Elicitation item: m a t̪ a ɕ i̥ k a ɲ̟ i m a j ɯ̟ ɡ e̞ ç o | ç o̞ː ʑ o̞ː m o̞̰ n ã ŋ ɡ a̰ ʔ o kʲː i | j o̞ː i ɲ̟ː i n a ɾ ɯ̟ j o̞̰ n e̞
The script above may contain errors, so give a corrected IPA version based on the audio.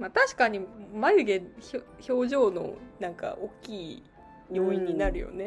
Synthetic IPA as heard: m a t̪ a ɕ i̥ k a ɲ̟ i m a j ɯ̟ ɡ e̞ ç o | ç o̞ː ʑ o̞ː n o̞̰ n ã ŋ k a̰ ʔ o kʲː iː | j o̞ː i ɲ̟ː i n a ɾ ɯ̟ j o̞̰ n e̞